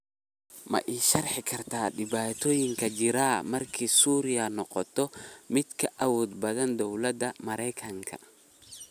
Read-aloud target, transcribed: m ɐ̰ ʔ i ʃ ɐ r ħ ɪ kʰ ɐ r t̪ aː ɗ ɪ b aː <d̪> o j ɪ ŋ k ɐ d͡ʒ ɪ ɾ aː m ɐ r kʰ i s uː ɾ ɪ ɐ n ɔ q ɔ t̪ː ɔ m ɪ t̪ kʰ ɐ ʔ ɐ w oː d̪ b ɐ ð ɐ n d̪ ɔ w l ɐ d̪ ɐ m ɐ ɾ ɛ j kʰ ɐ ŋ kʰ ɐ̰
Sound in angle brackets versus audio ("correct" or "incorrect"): incorrect